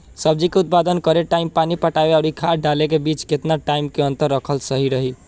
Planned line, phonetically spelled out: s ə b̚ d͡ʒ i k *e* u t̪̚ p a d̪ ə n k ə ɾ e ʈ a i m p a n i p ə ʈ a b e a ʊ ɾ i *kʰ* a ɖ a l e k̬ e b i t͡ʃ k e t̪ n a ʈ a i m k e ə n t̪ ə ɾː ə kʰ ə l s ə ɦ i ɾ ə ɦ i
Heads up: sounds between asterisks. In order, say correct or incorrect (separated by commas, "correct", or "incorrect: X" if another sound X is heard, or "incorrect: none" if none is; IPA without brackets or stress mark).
correct, correct